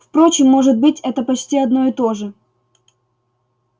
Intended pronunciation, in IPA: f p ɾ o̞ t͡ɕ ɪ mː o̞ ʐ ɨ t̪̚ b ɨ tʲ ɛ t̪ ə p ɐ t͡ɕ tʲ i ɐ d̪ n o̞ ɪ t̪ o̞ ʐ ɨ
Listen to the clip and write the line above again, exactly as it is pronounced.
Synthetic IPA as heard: f p ɾ o̞ t͡ɕ ɪ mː o̞ ʐ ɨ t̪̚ b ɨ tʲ ɛ t̪ ə p ɐ t͡ɕ tʲ i ɐ d̪ n o̞ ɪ t̪ o̞ ʐ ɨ

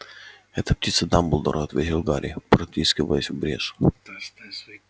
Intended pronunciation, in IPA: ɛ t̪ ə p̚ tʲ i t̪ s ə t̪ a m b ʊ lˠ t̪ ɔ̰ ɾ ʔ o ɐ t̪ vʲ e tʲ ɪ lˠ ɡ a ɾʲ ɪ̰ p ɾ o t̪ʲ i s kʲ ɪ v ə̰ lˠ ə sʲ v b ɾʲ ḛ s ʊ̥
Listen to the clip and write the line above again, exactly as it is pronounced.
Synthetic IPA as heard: ɛ t̪ ə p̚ tʲ i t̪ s ə d̪ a m b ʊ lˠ d̪ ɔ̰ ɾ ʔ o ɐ t̪ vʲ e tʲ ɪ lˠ ɡ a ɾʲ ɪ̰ p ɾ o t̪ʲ i s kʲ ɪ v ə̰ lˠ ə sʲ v b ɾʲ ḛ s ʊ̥

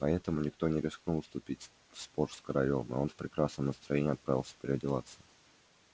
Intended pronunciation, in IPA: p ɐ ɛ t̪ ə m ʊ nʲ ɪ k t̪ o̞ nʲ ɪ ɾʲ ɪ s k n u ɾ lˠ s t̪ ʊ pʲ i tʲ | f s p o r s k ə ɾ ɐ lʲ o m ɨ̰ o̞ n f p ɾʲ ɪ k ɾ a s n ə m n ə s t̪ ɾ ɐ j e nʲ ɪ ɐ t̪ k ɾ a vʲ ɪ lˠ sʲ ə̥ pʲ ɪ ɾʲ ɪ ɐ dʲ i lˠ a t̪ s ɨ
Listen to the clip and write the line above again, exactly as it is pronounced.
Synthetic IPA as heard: p ɐ ɛ t̪ ə m ʊ nʲ ɪ k t̪ o̞ nʲ ɪ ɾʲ ɪ s k n u lˠ s t̪ ʊ pʲ i tʲ | f s p o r s k ə ɾ ɐ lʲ o m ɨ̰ o̞ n f p ɾʲ ɪ k ɾ a s n ə m n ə s t̪ ɾ ɐ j e nʲ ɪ ɐ t̪ p ɾ a vʲ ɪ lˠ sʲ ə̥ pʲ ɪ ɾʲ ɪ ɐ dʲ ɪ lˠ a t̪ s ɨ

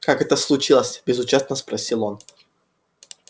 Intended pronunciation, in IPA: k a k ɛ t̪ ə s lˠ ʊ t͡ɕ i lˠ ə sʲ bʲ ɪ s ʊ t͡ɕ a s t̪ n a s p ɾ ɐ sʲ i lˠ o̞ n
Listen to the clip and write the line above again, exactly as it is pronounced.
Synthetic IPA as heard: k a k ɛ t̪ ə s lˠ ʊ t͡ɕ i lˠ ə sʲ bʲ ɪ z ʊ t͡ɕ a s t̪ n ə s p ɾ ɐ sʲ i lˠ o̞ n

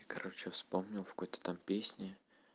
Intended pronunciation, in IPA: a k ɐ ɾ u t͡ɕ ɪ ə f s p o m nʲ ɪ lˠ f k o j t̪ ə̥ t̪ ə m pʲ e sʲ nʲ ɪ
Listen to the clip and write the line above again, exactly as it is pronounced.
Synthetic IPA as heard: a k ɐ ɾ o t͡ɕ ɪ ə f s p o m nʲ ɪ lˠ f k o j t̪ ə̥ t̪ a m pʲ e sʲ nʲ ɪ

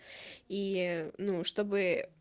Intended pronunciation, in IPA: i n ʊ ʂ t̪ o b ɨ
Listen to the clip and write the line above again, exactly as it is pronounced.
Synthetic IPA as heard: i n u ʂ t̪ o b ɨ

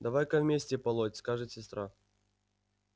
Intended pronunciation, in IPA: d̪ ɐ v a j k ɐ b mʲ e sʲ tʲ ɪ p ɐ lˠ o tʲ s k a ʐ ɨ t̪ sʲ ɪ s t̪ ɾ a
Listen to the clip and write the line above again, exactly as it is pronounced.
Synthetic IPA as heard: d̪ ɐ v a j k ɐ v mʲ e sʲ tʲ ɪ p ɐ lˠ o tʲ s k a ʐ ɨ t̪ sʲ ɪ s t̪ ɾ a

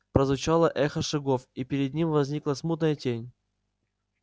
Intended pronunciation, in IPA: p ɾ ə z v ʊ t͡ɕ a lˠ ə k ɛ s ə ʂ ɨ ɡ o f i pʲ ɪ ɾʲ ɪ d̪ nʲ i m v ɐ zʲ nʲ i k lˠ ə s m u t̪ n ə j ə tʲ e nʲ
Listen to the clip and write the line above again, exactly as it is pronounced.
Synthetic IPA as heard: p ɾ ə z v ʊ t͡ɕ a lˠ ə ʔ ɛ x ə ʂ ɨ ɡ o f i pʲ ɪ ɾʲ ɪ d̪ nʲ i m v ɐ zʲ nʲ i k lˠ ə s m u t̪ n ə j ə tʲ e nʲ

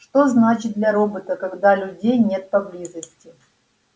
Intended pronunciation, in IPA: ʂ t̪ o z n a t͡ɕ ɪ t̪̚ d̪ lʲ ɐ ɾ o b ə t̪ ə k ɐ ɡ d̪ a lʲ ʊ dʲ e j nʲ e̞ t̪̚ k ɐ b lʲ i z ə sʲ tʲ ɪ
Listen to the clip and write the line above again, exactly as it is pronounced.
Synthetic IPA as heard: ʂ t̪ o z n a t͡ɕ ɪ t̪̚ d̪ lʲ ɐ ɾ o b ə t̪ ə k ɐ ɡ d̪ a lʲ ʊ dʲ e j nʲ e̞ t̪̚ p ɐ b lʲ i z ə sʲ tʲ ɪ

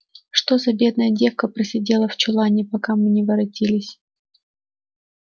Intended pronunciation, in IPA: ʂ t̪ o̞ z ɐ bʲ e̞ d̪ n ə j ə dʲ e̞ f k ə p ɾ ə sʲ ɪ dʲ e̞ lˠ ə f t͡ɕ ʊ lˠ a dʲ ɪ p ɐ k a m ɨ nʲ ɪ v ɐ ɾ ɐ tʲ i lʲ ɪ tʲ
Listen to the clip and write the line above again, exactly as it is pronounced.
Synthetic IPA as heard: ʂ t̪ o̞ z ɐ bʲ e̞ d̪ n ə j ə dʲ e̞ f k ə p ɾ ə sʲ ɪ dʲ e̞ lˠ ə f t͡ɕ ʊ lˠ a nʲ ɪ p ɐ k a m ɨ nʲ ɪ v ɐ ɾ ɐ tʲ i lʲ ɪ sʲ

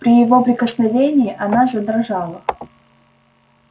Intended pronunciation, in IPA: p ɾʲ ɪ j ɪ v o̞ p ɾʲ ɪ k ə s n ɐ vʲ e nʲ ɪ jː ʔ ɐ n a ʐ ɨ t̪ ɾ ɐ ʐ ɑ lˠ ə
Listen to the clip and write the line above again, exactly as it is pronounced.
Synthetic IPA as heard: p ɾʲ ɪ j ɪ v o̞ p ɾʲ ɪ k ə s n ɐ vʲ e nʲ ɪ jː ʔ ɐ n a ʐ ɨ d̪ ɾ ɐ ʐ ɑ lˠ ə

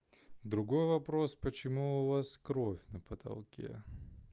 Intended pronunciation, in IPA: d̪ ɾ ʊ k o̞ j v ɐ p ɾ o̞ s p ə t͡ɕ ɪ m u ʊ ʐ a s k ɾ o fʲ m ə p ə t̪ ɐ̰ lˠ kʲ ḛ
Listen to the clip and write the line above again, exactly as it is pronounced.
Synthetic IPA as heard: d̪ ɾ ʊ ɡ o̞ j v ɐ p ɾ o̞ s p ə t͡ɕ ɪ m u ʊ v a s k ɾ o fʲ n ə p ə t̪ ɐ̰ lˠ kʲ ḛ

